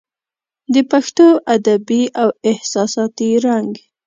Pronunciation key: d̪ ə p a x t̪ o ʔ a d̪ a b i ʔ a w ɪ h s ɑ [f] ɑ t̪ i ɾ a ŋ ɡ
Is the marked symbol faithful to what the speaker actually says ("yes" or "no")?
no